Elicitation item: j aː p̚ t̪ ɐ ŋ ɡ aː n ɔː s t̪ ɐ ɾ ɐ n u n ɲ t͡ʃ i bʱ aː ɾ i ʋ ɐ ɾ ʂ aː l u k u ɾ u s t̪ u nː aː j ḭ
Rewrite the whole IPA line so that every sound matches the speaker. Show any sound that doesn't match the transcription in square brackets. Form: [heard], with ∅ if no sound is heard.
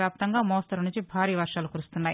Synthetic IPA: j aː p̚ t̪ ɐ ŋ ɡ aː [m] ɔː s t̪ ɐ ɾ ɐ n u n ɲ t͡ʃ i bʱ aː ɾ [iː] ʋ ɐ ɾ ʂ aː l u k u ɾ u s t̪ u nː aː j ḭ